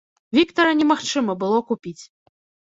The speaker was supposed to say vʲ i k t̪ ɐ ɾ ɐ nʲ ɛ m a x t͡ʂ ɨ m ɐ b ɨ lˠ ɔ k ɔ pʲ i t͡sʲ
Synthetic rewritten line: vʲ i k t̪ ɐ ɾ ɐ nʲ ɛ m a x t͡ʂ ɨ m ɐ b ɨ lˠ ɔ k u pʲ i t͡sʲ